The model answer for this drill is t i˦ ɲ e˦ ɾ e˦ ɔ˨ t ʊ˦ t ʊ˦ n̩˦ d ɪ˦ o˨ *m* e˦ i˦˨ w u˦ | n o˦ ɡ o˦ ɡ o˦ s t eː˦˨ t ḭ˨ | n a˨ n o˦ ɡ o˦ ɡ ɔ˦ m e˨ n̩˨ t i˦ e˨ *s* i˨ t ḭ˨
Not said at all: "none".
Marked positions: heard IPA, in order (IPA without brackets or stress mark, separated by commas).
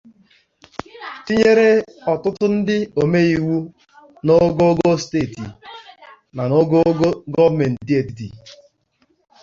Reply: m, t